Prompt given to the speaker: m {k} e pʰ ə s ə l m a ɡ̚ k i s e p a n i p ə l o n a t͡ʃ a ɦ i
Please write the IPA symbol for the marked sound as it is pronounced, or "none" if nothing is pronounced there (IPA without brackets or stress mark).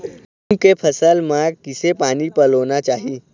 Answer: k